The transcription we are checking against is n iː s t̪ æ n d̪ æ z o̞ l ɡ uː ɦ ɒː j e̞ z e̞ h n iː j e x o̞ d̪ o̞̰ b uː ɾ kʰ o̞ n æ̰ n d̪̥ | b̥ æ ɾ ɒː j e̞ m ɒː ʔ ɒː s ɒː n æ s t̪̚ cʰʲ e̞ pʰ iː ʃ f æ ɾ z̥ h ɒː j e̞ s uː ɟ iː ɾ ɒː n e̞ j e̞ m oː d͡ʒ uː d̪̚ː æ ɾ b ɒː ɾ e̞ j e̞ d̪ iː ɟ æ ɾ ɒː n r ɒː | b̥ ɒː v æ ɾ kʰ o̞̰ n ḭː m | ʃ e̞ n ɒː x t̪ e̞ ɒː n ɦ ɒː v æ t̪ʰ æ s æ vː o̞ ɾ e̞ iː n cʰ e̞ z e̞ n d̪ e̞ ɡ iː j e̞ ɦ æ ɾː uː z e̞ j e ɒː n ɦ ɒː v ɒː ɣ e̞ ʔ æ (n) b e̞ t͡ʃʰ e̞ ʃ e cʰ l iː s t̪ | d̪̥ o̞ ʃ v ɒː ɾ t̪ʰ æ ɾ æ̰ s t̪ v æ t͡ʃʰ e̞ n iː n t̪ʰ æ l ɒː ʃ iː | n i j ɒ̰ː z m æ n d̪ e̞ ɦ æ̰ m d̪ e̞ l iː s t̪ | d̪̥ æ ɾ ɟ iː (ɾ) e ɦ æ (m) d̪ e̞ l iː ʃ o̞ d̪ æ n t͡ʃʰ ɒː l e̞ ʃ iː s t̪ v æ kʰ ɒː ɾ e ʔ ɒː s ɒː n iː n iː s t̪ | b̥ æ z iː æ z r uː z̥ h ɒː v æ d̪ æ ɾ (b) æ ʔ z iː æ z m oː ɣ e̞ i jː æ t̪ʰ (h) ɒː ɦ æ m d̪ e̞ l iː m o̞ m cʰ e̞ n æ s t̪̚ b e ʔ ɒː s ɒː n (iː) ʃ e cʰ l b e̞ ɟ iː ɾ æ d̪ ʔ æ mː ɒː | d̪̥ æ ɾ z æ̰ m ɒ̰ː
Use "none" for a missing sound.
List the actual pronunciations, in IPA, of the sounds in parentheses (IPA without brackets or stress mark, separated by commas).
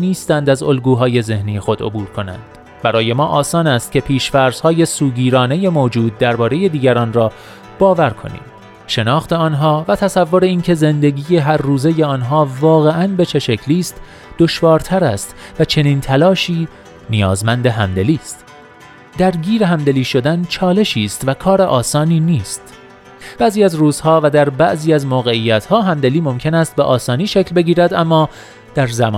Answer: n, ɾ, m, b, h, iː